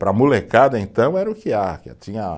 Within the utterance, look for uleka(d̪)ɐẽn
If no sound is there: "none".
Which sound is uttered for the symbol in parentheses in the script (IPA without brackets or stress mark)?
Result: d̪